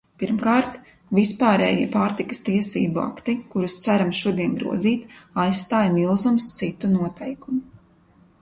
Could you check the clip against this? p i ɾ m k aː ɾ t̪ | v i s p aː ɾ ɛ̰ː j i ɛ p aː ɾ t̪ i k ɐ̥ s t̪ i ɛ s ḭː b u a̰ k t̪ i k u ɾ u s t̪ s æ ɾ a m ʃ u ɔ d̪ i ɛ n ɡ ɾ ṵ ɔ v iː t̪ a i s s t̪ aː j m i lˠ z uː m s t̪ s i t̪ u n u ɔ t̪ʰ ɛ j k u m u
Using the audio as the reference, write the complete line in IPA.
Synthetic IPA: p i ɾ m k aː ɾ t̪ | v i s p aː ɾ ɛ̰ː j i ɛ p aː ɾ t̪ i k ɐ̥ s t̪ i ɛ s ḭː b u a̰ k t̪ i k u ɾ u s t̪ s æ ɾ a m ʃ u ɔ d̪ i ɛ n ɡ ɾ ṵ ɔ z iː t̪ a j s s t̪ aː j m i lˠ z u m s t̪ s i t̪ u n u ɔ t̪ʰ ɛ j k u m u